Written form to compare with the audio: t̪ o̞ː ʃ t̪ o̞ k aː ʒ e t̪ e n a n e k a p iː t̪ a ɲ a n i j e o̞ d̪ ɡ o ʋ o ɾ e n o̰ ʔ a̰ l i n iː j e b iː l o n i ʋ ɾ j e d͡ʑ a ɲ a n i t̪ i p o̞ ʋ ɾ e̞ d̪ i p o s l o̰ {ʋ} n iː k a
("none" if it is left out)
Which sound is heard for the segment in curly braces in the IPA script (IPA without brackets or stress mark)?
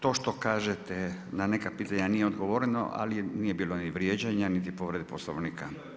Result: ʋ